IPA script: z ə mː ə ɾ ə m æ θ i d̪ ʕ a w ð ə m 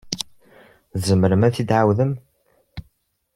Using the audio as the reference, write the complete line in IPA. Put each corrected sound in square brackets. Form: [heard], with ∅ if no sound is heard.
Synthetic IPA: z ə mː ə ɾ ə m æ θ i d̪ ʕ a w ð ə m